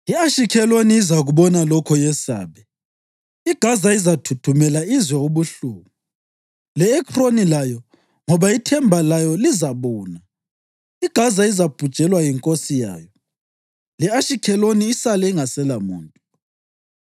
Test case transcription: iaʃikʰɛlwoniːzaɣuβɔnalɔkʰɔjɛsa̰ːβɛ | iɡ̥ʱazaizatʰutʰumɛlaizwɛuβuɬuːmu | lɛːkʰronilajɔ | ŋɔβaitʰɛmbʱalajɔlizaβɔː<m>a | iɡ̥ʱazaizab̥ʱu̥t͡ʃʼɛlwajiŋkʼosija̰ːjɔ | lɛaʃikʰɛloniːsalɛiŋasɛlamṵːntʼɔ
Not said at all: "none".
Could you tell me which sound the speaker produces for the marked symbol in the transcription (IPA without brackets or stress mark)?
n